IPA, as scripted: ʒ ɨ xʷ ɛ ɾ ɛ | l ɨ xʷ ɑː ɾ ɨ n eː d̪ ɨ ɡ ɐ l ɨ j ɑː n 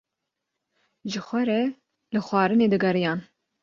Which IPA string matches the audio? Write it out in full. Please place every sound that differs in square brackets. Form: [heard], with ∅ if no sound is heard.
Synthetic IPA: ʒ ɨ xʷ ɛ ɾ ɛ | l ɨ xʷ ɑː ɾ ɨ n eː d̪ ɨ ɡ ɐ [ɾ] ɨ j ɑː n